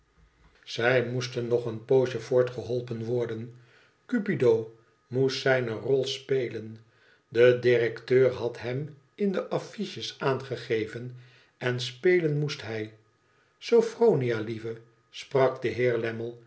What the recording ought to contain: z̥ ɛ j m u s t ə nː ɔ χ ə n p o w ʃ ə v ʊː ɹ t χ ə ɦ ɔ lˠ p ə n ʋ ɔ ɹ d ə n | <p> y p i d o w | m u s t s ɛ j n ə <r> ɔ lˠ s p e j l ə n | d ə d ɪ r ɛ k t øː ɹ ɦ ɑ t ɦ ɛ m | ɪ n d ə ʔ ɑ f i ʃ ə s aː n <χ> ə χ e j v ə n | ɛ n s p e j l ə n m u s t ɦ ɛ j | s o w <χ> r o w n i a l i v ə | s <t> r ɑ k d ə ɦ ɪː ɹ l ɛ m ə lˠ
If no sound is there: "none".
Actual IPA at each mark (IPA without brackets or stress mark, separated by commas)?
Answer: k, r, χ, f, p